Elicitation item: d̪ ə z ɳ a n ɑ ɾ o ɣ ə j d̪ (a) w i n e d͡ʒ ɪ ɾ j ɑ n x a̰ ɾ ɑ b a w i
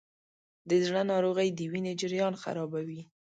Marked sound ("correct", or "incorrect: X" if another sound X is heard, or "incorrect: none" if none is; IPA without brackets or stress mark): incorrect: ə